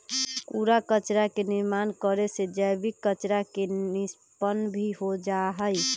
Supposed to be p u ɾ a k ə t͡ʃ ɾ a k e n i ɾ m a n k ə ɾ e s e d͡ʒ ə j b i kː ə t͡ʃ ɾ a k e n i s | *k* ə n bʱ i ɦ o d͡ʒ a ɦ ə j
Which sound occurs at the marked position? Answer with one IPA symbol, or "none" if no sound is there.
p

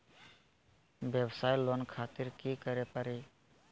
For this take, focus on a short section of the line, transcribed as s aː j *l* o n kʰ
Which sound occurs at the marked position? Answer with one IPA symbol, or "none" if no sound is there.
l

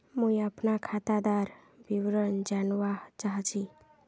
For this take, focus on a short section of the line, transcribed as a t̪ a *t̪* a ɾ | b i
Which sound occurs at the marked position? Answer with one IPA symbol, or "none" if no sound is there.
d̪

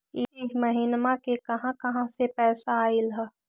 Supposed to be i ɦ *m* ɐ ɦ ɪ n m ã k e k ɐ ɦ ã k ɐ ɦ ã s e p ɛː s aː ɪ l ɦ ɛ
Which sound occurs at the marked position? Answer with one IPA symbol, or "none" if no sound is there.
m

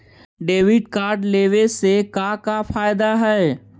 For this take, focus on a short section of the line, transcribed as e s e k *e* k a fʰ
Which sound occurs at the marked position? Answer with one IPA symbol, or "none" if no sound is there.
a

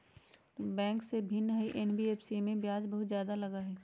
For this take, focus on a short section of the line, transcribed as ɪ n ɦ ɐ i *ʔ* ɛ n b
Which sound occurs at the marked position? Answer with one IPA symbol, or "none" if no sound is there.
ʔ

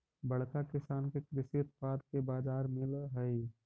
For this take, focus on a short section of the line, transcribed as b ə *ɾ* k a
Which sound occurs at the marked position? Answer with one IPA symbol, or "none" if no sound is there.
ɽ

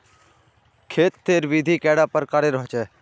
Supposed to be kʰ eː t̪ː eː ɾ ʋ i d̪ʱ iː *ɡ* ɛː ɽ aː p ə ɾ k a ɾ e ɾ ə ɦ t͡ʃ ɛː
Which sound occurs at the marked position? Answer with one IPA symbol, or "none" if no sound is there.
k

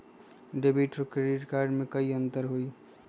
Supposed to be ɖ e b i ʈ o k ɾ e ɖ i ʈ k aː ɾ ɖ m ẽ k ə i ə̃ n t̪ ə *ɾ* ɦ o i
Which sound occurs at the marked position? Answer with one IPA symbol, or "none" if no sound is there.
ɾ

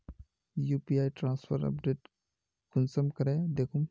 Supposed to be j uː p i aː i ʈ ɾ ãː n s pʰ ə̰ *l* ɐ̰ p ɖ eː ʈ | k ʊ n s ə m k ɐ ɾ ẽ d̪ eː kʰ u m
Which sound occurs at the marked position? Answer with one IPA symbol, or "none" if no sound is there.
ɾ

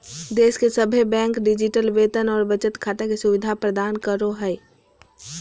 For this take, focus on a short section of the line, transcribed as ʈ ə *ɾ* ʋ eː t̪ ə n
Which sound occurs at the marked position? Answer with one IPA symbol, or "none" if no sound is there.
l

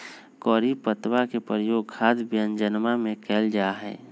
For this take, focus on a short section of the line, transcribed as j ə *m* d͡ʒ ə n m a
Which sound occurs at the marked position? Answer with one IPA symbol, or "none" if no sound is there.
n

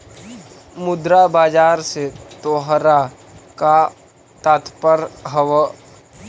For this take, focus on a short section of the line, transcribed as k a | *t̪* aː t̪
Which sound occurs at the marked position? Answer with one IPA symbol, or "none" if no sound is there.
t̪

